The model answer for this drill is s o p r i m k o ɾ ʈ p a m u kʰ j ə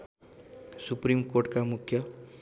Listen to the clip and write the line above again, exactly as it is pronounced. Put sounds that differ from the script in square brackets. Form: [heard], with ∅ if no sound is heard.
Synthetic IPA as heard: s [u] p [ɾ] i m k o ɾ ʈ [k] a m u kʰ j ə